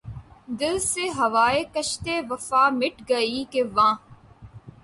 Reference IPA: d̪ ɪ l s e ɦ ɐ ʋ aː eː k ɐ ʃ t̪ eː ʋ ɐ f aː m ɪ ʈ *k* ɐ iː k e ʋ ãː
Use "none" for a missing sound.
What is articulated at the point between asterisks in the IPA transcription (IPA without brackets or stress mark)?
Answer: ɡ